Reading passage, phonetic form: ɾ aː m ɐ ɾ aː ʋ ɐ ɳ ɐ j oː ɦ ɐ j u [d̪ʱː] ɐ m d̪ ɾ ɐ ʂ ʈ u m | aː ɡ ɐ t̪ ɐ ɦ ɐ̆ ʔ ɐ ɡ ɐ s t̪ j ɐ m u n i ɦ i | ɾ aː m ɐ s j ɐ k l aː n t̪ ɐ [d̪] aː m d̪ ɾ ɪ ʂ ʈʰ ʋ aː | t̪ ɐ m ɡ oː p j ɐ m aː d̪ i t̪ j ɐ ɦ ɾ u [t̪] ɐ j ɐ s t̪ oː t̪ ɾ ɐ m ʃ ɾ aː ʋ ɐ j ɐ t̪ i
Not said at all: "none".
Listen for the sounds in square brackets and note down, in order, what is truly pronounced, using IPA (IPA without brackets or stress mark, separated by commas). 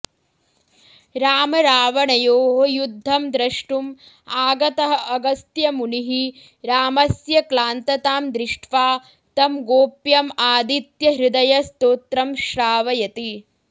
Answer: d̪ʱː, t̪, d̪